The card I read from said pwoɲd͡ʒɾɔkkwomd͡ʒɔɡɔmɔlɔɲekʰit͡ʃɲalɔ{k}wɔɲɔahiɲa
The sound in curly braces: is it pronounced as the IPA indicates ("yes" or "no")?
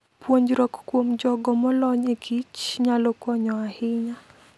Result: yes